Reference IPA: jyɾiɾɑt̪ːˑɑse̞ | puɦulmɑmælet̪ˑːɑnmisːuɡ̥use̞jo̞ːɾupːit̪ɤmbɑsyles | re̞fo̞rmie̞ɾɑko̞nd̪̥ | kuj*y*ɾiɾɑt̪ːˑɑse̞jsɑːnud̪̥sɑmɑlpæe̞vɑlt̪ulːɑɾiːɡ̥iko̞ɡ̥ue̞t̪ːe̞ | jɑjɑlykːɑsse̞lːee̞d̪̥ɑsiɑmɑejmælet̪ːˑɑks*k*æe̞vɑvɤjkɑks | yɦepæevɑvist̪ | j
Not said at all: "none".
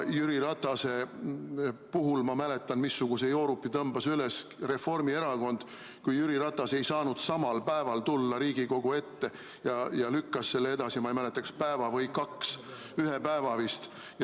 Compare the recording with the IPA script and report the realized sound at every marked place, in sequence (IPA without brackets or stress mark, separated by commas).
y, p